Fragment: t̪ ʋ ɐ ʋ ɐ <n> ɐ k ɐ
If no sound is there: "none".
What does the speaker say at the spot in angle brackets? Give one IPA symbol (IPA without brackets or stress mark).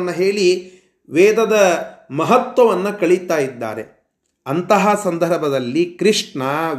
nː